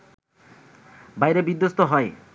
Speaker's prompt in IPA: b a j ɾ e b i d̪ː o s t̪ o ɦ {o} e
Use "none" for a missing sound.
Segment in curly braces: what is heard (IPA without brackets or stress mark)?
ɔ